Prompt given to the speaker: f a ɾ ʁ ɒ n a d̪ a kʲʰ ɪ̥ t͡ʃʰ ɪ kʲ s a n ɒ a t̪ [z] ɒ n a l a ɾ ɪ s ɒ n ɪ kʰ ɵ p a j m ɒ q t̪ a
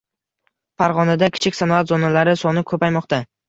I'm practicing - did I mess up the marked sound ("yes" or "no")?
no